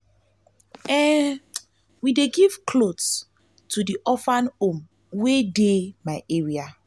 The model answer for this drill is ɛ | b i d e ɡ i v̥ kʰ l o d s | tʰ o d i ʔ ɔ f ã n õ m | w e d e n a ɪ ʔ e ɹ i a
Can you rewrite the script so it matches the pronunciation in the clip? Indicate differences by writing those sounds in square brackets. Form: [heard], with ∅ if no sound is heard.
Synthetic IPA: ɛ | [w] i d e ɡ i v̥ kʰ l o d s | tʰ [u] d i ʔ ɔ f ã n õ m | w e d e [m] a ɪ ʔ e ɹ i a

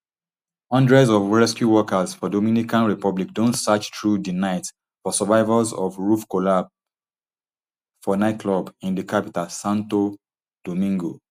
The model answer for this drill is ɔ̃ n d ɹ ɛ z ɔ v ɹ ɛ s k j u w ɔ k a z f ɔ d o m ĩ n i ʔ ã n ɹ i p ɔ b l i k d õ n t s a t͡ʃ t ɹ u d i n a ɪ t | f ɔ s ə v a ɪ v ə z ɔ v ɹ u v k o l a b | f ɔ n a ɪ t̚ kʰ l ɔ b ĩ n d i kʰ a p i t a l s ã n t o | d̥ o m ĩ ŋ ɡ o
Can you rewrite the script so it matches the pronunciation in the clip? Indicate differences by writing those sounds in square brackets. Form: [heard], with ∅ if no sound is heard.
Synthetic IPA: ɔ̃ n d ɹ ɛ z ɔ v ɹ ɛ s k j u w ɔ k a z f ɔ d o m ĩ n i [k] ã n ɹ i p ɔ b l i k d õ n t s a t͡ʃ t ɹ u d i n a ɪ t | f ɔ s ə v a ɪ v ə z ɔ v ɹ u [f] k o l a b | f ɔ n a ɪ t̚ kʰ l ɔ b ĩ n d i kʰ a p i t a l s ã n t o | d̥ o m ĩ ŋ ɡ o

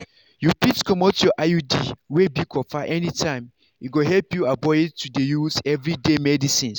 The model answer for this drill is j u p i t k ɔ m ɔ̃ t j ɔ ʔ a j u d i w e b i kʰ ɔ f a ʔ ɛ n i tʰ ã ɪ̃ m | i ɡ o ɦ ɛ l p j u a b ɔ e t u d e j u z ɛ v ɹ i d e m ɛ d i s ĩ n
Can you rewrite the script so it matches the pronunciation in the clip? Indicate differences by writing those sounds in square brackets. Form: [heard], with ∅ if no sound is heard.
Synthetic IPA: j u p i t k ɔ m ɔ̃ t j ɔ ʔ a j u d i w e b i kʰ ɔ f a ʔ ɛ n i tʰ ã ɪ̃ m | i ɡ o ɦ ɛ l p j u a b ɔ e t u d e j u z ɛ v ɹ i d e m ɛ d i s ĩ n

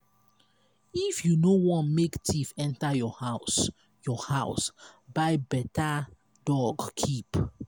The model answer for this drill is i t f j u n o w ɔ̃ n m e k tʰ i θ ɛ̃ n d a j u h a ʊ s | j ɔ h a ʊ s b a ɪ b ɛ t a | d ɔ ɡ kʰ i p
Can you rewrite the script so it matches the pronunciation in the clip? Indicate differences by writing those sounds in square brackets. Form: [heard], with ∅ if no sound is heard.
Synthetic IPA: i [∅] f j u n o w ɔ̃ n m e k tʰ i [f] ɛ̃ n [t] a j [ɔ] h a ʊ s | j ɔ h a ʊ s b a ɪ b ɛ t a | d ɔ ɡ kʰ i p

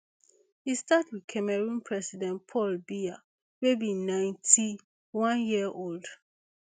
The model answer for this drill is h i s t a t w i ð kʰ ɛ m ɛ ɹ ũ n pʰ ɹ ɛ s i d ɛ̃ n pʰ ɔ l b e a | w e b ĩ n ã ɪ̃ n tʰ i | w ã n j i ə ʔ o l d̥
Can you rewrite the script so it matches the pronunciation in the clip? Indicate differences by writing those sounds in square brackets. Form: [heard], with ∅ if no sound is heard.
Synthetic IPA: h i s t a t w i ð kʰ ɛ m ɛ ɹ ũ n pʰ ɹ ɛ s i d ɛ̃ n pʰ ɔ l b [i] a | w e b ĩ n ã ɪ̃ n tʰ i | w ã n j i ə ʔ o l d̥

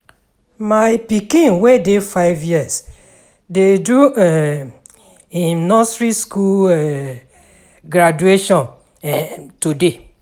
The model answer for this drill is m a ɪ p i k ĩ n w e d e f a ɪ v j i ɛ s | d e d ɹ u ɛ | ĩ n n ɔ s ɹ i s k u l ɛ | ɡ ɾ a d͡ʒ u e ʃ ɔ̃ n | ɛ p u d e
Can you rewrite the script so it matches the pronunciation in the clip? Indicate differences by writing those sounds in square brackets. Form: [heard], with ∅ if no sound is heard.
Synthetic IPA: m a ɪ p i k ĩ n w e d e f a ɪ v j i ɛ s | d e d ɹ u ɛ | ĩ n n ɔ s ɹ i s k u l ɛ | ɡ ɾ a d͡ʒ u e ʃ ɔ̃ n | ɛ [t] u d e

